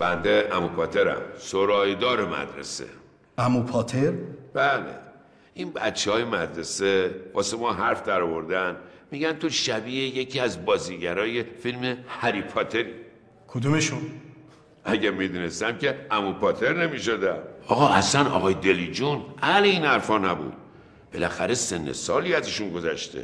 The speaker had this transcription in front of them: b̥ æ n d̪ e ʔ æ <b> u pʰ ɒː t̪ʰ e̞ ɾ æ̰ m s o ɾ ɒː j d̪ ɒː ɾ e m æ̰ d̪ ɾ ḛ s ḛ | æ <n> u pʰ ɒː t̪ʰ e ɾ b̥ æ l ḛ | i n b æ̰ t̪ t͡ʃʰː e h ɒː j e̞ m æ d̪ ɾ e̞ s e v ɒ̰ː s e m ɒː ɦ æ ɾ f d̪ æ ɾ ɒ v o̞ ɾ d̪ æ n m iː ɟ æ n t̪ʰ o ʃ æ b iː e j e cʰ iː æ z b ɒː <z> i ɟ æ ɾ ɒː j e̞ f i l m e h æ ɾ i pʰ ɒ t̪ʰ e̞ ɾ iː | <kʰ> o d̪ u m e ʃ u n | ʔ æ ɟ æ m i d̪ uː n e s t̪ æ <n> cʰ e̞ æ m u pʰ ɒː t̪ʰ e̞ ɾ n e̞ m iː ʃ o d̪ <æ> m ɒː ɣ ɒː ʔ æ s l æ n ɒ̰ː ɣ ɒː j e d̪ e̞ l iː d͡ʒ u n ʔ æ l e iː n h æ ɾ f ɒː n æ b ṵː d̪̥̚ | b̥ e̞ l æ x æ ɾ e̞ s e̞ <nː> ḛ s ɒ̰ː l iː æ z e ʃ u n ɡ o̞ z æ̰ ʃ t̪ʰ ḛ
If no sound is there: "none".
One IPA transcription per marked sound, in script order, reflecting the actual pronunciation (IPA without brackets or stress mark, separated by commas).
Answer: m, m, z, kʰ, m, æ, nː